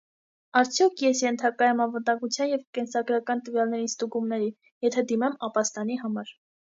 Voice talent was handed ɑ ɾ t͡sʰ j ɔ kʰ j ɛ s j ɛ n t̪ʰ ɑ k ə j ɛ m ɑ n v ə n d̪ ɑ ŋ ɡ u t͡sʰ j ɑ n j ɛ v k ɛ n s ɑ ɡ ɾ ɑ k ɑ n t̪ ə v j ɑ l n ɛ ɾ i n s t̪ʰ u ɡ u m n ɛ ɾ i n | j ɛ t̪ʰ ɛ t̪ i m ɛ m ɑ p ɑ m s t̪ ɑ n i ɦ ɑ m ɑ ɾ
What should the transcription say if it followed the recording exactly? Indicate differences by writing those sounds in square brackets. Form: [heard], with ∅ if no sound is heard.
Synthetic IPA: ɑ ɾ t͡sʰ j ɔ kʰ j ɛ s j ɛ n t̪ʰ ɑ k [ɑ] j ɛ m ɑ n v ə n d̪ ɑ ŋ ɡ u t͡sʰ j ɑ n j ɛ v k ɛ n s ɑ ɡ ɾ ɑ k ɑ n t̪ ə v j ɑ l n ɛ ɾ i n s [t̪] u ɡ u m n ɛ ɾ i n | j ɛ t̪ʰ ɛ [d̪] i m ɛ m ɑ p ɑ [∅] s t̪ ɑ n i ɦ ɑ m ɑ ɾ